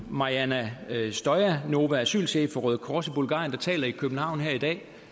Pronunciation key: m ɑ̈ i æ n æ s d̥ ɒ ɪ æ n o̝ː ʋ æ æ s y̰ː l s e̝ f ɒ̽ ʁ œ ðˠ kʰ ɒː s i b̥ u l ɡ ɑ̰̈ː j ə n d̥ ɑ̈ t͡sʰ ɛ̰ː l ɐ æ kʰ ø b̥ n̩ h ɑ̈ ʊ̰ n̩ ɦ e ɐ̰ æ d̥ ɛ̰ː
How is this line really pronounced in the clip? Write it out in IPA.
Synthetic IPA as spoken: m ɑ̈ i æ n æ s d̥ ɒ ɪ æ n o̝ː ʋ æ æ s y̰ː l s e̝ f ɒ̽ ʁ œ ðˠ kʰ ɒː s i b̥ u l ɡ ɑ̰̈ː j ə n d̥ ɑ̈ t͡sʰ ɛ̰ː l ɐ i kʰ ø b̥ n̩ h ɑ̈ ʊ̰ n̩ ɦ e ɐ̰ i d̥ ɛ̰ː